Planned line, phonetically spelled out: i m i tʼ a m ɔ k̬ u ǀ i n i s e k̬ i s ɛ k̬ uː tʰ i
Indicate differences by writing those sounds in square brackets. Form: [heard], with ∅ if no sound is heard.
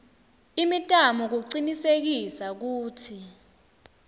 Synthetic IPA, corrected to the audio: i m i tʼ a m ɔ k̬ u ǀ i n i s e k̬ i s [a] k̬ uː tʰ i